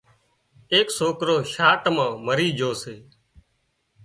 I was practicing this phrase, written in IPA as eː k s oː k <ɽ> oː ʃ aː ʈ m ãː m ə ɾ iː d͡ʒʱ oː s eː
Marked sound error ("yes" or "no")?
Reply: yes